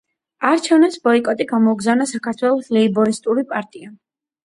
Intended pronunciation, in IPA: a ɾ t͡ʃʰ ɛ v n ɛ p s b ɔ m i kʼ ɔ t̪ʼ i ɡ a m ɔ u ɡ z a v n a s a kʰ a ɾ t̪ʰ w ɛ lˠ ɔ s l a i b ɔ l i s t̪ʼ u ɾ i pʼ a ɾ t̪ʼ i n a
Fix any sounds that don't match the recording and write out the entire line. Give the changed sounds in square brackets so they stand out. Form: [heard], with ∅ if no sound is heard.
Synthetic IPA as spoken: a ɾ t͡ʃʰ ɛ v n ɛ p s b ɔ [∅] i kʼ ɔ t̪ʼ i ɡ a m ɔ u ɡ z a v n a s a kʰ a ɾ t̪ʰ w ɛ lˠ ɔ s l [ɛ] i b ɔ [ɾ] i s t̪ʼ u ɾ i pʼ a ɾ t̪ʼ i [∅] a